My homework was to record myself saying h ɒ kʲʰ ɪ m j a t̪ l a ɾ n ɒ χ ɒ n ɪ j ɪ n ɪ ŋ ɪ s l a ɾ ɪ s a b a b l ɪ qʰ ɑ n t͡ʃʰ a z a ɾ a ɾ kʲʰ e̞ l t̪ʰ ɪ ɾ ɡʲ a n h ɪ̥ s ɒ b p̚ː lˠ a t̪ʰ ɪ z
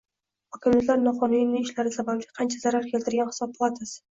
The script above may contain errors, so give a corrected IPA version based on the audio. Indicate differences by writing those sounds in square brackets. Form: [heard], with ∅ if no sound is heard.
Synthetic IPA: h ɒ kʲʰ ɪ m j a t̪ l a ɾ n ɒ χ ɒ n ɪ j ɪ n ɪ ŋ ɪ [ʃ] l a ɾ ɪ s a b a b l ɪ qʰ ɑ n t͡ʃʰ a z a ɾ a ɾ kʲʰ e̞ l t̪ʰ ɪ ɾ ɡʲ a n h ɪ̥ s ɒ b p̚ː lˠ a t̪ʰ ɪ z